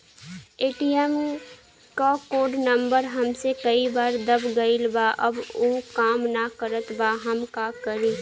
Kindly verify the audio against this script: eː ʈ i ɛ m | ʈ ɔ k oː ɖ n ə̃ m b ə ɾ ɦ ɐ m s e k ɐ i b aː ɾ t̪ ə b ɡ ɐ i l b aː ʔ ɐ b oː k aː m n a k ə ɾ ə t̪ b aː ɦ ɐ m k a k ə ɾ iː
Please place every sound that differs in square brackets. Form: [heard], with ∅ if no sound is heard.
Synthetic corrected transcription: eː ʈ i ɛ m | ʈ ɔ k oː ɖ n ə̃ m b ə ɾ ɦ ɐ m s e k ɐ i b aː ɾ [d̪] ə b ɡ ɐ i l b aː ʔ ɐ b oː k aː m n a k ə ɾ ə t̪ b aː ɦ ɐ m k a k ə ɾ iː